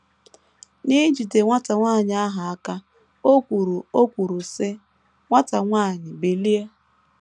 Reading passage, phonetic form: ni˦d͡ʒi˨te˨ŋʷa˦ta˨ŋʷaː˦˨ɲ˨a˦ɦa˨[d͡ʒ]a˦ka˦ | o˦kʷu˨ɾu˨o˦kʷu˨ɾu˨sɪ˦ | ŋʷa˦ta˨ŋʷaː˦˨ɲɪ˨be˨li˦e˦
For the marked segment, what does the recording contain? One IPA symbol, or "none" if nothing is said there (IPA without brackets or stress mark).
none